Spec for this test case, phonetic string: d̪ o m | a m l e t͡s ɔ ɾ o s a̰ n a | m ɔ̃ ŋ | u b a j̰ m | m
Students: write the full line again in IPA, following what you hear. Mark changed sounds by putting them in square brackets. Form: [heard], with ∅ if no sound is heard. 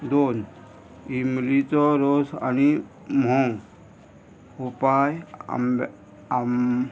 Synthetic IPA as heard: d̪ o [n] | [i] m l [i] t͡s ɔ ɾ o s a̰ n [i] | m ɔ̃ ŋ | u [p] a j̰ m | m

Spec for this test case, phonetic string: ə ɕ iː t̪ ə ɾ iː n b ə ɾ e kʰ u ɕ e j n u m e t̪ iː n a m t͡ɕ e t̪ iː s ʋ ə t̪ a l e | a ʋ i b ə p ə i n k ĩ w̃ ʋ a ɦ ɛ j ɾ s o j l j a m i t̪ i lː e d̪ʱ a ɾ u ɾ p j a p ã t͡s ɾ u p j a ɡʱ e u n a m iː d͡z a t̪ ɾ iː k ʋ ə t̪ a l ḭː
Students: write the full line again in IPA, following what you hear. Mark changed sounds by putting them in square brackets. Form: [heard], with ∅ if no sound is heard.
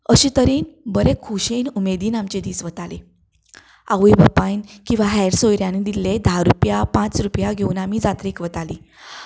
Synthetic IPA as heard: ə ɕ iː t̪ ə ɾ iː n b ə ɾ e kʰ u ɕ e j n u m e [d̪] iː n a m t͡ɕ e [d̪] iː s ʋ ə t̪ a l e | a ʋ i b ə p [a] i n k ĩ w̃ ʋ a ɦ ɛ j ɾ s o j [ɾ] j a [n] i [d̪] i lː e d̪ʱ a ɾ u [∅] p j a p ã t͡s ɾ u p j a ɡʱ e u n a m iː d͡z a t̪ ɾ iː k ʋ ə t̪ a l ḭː

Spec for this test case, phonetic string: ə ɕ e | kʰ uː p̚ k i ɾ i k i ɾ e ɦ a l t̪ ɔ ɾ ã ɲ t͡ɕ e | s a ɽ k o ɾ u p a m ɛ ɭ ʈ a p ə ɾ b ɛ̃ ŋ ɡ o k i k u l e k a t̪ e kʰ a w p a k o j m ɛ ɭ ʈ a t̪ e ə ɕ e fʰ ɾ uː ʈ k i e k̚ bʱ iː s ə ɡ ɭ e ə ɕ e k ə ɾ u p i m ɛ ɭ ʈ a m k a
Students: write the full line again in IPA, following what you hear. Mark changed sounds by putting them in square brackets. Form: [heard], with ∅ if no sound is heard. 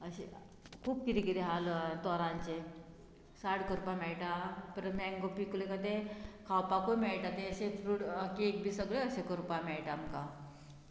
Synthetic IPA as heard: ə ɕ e | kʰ uː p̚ k i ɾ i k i ɾ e ɦ a l t̪ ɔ ɾ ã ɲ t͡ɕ e | s a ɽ k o ɾ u p a m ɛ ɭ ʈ a p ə ɾ [m] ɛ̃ ŋ ɡ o [p] i k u l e k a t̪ e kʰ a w p a k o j m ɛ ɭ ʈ a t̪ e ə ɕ e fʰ ɾ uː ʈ k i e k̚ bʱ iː s ə ɡ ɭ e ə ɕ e k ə ɾ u p [a] m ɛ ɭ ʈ a m k a

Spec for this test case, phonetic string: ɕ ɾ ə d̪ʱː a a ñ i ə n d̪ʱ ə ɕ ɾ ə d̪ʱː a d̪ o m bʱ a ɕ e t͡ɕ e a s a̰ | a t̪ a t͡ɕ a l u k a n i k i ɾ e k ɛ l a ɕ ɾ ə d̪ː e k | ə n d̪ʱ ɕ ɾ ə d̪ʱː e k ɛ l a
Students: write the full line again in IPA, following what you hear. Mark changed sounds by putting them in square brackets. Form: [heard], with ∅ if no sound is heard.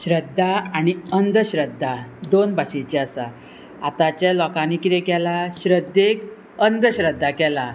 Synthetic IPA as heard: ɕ ɾ ə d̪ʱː a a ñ i ə n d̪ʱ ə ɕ ɾ ə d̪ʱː a d̪ o [n] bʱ a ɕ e t͡ɕ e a s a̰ | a t̪ a t͡ɕ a l [ɔ] k a n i k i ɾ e k ɛ l a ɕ ɾ ə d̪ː e k | ə n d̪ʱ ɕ ɾ ə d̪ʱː [a] k ɛ l a

